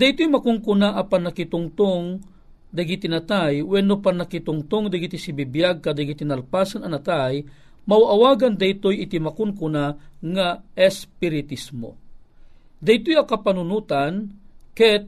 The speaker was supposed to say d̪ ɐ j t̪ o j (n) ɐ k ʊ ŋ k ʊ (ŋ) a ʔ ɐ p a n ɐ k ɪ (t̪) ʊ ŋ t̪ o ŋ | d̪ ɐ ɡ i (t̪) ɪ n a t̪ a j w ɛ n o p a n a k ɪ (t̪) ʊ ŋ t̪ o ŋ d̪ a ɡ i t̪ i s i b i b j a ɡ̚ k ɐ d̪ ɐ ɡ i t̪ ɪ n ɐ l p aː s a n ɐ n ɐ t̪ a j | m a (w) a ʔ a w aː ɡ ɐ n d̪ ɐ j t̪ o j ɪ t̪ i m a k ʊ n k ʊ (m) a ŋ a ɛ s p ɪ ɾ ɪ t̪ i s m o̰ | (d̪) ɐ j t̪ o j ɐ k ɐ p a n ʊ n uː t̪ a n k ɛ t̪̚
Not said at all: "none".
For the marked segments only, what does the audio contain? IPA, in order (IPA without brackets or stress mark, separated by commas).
m, n, t̪, t̪, t̪, w, n, d̪